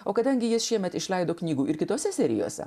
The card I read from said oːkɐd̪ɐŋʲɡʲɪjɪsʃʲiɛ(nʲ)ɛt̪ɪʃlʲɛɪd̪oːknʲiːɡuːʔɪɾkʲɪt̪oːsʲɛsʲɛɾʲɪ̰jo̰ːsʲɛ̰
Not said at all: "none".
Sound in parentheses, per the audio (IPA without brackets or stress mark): mʲ